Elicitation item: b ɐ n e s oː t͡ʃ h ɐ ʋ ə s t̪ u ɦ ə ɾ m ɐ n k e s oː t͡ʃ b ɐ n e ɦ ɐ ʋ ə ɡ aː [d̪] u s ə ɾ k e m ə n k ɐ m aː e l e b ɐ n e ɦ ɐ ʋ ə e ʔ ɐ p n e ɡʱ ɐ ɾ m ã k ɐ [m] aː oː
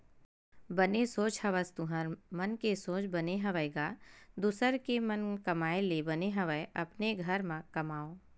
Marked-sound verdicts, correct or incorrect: correct, correct

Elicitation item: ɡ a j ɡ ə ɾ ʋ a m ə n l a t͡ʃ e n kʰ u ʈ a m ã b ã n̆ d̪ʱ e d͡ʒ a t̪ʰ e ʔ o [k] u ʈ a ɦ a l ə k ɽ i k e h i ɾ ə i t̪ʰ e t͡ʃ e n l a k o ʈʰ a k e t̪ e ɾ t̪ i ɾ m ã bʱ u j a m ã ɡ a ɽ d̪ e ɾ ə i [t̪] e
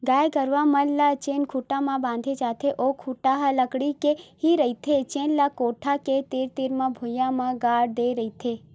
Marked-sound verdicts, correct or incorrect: incorrect: kʰ, incorrect: t̪ʰ

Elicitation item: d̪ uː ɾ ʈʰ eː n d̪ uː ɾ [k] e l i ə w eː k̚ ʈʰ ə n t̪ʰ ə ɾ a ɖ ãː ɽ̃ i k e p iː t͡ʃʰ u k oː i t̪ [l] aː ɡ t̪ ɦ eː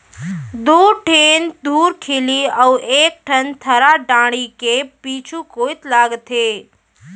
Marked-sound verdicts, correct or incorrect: incorrect: kʰ, correct

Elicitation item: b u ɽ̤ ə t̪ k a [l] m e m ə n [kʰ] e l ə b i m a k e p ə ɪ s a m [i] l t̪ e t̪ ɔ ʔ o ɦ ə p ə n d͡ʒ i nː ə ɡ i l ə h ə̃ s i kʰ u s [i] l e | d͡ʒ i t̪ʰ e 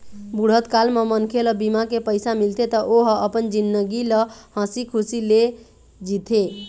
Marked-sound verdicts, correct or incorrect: correct, correct, correct, correct

